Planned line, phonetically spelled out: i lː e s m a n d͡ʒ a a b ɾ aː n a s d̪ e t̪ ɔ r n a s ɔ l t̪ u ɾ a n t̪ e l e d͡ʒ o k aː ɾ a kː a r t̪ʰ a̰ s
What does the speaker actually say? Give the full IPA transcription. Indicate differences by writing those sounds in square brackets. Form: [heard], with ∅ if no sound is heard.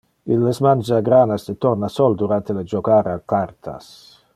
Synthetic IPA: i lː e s m a n d͡ʒ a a [ɡ] ɾ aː n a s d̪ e t̪ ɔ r n a s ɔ l [d̪] u ɾ a n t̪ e l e d͡ʒ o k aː ɾ a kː a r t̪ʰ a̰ s